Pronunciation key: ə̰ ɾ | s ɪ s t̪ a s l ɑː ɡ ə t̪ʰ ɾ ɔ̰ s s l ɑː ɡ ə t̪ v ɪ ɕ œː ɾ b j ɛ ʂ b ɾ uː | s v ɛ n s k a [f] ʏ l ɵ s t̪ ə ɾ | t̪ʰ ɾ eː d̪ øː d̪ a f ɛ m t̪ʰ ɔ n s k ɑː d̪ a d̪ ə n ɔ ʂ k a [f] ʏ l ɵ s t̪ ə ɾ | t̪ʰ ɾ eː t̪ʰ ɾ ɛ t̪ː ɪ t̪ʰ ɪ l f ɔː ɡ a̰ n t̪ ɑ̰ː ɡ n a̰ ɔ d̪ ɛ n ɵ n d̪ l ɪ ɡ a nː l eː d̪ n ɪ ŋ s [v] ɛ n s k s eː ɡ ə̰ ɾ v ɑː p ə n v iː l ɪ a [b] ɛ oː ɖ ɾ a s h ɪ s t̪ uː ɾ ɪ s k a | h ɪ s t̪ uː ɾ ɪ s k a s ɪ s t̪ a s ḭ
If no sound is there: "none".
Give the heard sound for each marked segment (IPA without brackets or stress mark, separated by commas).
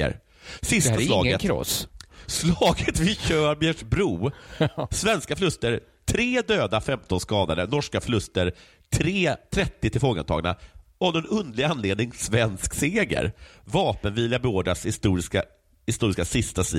f, f, v, b